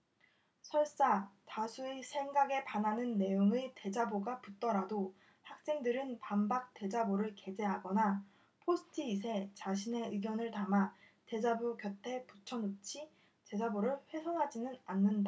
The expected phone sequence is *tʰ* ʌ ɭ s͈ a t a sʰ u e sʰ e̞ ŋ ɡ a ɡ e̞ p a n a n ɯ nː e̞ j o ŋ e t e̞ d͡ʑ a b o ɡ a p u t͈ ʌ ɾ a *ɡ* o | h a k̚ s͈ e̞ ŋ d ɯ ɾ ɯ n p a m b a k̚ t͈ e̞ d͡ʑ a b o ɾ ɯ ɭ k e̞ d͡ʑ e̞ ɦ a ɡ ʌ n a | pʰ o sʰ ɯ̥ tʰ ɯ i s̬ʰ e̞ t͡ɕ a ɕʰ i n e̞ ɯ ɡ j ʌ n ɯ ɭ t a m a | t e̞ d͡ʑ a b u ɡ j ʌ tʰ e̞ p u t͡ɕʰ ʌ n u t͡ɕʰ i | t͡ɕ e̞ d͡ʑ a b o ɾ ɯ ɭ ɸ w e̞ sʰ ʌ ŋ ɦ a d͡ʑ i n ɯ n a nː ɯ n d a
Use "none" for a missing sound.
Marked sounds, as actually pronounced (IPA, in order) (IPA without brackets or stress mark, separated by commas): sʰ, d